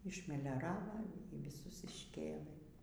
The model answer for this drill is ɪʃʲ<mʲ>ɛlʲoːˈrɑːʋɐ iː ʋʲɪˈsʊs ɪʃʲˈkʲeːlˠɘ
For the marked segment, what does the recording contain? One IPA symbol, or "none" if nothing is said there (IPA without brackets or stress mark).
mʲ